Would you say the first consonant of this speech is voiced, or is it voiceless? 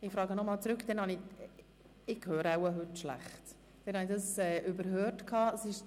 voiceless